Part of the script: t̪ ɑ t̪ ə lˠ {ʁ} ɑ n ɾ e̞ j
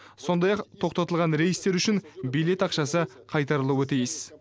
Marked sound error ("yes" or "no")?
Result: no